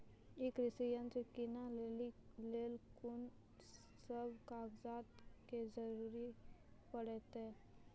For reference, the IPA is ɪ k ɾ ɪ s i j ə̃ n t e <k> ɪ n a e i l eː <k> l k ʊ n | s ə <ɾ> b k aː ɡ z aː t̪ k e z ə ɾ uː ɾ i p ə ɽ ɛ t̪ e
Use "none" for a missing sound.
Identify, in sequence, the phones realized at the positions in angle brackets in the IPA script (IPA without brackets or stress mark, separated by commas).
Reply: k, none, none